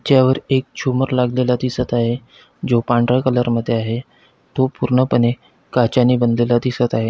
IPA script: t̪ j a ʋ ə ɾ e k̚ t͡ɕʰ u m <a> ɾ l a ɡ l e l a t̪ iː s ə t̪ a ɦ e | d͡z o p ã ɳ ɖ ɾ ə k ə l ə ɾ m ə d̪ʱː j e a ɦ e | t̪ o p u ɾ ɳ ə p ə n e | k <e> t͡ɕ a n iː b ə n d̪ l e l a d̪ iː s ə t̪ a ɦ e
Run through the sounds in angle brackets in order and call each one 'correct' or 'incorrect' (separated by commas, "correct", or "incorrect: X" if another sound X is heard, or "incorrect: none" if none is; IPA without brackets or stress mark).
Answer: incorrect: ə, incorrect: a